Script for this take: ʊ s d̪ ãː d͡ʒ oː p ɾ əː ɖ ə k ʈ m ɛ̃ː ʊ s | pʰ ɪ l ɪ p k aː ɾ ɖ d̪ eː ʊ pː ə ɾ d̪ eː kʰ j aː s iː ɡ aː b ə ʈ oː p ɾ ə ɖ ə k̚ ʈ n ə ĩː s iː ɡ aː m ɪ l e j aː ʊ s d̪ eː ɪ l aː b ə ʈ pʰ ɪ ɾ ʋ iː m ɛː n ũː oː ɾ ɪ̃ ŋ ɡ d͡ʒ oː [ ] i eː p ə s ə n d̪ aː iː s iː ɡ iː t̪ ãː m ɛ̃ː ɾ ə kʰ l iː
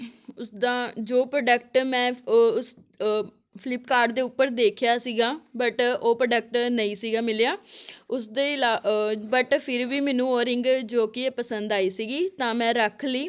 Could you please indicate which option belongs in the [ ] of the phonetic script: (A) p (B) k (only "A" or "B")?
B